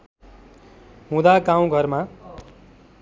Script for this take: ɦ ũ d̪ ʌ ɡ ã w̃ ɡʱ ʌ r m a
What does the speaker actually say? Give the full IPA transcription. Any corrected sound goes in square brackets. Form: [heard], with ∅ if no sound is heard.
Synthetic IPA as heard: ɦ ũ d̪ [a] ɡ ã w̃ ɡʱ ʌ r m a